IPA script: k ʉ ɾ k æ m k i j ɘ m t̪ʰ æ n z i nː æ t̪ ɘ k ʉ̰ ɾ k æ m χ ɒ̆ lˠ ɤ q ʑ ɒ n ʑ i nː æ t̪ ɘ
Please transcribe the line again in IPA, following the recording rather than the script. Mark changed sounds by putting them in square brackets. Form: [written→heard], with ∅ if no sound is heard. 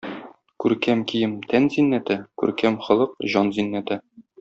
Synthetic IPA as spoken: k ʉ ɾ k æ m k i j ɘ m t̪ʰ æ n z i nː æ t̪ ɘ k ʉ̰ ɾ k æ m χ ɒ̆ lˠ ɤ q ʑ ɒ n [ʑ→z] i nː æ t̪ ɘ